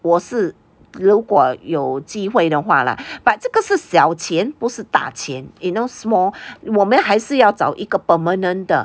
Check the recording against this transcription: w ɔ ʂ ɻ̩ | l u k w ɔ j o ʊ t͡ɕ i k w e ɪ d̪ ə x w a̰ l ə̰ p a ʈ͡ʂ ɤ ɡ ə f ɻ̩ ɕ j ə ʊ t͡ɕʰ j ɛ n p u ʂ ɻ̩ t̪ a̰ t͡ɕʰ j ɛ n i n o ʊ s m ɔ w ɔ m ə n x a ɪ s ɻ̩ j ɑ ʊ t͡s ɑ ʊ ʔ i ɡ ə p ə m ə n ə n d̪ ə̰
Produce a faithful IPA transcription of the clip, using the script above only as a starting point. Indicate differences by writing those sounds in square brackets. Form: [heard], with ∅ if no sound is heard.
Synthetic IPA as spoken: w ɔ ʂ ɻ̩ | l u k w ɔ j o ʊ t͡ɕ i [x] w e ɪ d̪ ə x w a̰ l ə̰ p a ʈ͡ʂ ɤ ɡ ə [ʂ] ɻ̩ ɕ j [ɑ] ʊ t͡ɕʰ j ɛ n p u ʂ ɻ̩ t̪ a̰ t͡ɕʰ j ɛ n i n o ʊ s m ɔ w ɔ m ə n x a ɪ [ʂ] ɻ̩ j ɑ ʊ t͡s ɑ ʊ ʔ i ɡ ə p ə m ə n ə n d̪ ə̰